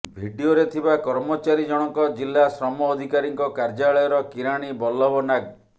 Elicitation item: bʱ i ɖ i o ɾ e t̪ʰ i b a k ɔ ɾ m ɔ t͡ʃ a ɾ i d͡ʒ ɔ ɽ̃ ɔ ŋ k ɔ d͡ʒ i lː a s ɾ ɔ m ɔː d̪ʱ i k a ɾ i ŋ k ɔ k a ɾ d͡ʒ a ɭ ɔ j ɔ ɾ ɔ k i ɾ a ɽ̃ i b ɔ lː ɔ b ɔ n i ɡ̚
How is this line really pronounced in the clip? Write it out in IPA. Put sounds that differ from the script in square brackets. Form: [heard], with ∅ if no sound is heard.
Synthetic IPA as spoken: bʱ i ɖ i o ɾ e t̪ʰ i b a k ɔ ɾ m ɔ t͡ʃ a ɾ i d͡ʒ ɔ ɽ̃ ɔ ŋ k ɔ d͡ʒ i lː a s ɾ ɔ m ɔː d̪ʱ i k a ɾ i ŋ k ɔ k a ɾ d͡ʒ a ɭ ɔ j ɔ ɾ ɔ k i ɾ a ɽ̃ i b ɔ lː ɔ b ɔ n [a] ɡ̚